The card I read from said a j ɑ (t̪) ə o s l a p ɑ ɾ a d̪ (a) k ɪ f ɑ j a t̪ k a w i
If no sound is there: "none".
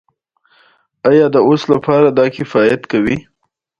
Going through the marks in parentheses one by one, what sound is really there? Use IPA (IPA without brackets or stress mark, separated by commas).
d̪, ɑ